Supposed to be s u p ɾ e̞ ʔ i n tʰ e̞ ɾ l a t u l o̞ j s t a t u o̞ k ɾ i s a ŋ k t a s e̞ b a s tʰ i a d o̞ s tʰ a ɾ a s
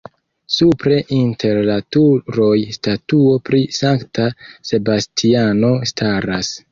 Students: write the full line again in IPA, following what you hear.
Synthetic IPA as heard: s u p ɾ e̞ ʔ i n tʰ e̞ ɾ l a t u ɾ o̞ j s t a t u o̞ p ɾ i s a ŋ k t a s e̞ b a s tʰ i a n o̞ s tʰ a ɾ a s